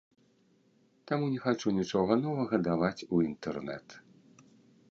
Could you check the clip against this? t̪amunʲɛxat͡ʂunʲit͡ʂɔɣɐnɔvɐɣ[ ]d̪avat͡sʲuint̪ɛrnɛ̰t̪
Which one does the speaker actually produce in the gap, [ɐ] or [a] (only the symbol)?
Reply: ɐ